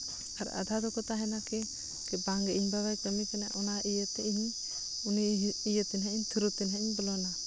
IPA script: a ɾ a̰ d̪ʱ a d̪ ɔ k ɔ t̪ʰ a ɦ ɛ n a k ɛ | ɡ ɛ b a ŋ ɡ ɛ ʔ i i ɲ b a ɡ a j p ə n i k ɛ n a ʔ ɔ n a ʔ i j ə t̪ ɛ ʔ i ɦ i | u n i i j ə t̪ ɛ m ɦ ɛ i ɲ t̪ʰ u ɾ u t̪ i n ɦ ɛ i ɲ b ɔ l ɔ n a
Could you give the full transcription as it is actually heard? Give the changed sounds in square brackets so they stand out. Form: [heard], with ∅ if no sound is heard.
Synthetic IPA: a ɾ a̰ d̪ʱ a d̪ ɔ k ɔ [t̪] a ɦ ɛ n a k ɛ | [k] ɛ b a ŋ ɡ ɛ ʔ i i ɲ b a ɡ a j p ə [m] i k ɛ n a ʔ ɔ n a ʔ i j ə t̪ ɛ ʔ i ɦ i | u n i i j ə t̪ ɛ [n] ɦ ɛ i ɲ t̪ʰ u ɾ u t̪ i n ɦ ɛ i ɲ b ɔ l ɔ n a